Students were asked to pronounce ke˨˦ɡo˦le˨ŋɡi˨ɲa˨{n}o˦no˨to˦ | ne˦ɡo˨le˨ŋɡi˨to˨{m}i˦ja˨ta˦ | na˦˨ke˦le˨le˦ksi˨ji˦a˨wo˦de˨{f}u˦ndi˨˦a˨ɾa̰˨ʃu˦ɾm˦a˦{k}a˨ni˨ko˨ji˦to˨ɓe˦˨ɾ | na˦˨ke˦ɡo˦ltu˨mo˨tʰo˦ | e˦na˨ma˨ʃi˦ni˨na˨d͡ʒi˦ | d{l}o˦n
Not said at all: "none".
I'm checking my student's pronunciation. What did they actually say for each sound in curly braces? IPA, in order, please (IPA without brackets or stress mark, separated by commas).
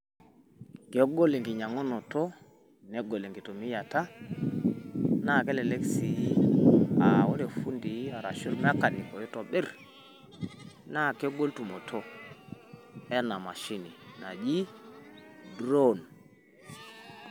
ŋ, m, f, k, ɾ